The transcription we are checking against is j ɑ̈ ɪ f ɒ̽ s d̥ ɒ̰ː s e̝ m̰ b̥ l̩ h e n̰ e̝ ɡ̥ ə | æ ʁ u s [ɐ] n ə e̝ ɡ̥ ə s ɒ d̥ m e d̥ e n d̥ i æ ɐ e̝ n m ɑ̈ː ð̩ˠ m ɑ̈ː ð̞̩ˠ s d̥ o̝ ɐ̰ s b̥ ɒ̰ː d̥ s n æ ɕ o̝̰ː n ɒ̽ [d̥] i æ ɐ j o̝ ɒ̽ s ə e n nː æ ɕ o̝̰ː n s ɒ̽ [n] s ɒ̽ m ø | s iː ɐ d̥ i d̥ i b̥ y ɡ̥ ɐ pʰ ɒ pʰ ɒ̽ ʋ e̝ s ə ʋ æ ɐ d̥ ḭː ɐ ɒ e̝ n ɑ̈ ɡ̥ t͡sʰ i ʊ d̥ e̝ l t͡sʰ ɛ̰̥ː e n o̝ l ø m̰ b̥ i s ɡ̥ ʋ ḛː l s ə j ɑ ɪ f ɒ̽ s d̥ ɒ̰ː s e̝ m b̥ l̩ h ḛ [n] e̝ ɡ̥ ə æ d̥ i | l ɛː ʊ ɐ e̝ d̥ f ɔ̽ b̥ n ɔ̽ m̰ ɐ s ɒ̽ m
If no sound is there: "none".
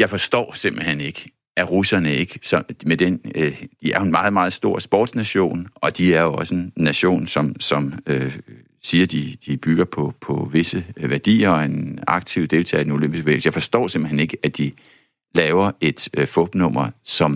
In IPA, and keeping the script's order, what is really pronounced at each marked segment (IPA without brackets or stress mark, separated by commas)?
ɐ, d̥, m, n